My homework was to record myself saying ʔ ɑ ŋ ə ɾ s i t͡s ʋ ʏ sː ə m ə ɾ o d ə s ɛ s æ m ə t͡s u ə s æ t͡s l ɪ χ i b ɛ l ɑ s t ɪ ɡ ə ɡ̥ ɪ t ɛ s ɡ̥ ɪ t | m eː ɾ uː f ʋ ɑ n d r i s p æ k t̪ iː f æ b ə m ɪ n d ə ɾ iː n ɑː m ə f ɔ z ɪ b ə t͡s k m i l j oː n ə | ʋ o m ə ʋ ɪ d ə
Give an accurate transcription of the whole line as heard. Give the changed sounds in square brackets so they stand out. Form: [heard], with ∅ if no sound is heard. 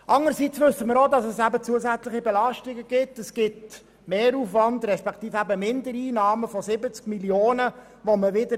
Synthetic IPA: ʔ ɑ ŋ ə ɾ s i t͡s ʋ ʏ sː ə m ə ɾ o d [ɑ] s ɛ s æ [b] ə t͡s u ə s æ t͡s l ɪ χ i b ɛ l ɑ [ʃ] t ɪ ɡ ə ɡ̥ ɪ t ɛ s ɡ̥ ɪ t | m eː ɾ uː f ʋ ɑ n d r [ɛ] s p [ɛ] k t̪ iː f æ b ə m ɪ n d ə ɾ iː n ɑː m ə f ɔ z ɪ b ə t͡s k m i l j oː n ə | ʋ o m ə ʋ ɪ d ə